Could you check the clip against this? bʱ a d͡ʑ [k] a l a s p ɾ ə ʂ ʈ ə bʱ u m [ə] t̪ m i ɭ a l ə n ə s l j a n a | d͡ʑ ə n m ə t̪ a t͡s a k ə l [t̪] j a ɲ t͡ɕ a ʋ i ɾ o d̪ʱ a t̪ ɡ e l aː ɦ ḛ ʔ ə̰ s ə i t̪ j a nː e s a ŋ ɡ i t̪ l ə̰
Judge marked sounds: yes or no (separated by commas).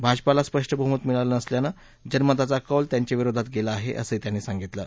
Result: no, yes, yes